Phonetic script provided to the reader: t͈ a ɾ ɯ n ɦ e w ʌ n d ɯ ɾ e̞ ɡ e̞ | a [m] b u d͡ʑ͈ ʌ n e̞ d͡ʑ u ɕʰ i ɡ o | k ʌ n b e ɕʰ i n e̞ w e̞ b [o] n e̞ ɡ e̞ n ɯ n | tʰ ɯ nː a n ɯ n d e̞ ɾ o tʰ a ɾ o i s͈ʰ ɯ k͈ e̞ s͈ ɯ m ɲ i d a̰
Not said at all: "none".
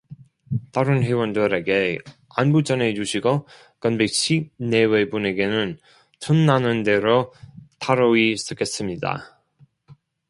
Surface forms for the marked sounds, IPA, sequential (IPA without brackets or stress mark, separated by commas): n, u